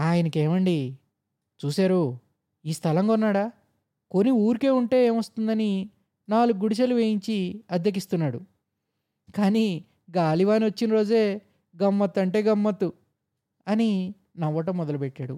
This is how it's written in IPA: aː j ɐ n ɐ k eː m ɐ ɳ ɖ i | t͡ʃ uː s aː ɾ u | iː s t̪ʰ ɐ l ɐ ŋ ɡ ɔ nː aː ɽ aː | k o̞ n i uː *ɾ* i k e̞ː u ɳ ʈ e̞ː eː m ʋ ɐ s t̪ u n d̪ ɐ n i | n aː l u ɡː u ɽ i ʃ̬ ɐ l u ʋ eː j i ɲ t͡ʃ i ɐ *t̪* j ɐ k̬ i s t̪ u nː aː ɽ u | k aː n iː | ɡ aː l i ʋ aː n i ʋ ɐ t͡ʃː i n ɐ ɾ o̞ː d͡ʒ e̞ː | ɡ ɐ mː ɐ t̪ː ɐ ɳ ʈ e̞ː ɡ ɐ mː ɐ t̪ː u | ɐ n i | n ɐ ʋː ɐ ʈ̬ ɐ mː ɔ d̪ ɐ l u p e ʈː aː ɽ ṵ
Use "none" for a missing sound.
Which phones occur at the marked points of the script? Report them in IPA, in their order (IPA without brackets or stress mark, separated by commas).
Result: ɾ, d̪